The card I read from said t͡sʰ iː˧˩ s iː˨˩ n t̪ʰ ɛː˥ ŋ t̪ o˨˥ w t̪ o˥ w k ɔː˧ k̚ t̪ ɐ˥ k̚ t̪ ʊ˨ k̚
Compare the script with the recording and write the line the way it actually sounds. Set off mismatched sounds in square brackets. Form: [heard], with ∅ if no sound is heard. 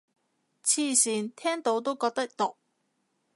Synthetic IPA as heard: t͡sʰ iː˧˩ s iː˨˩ n t̪ʰ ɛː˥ ŋ t̪ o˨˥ w t̪ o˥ w k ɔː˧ k̚ t̪ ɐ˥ k̚ t̪ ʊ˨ k̚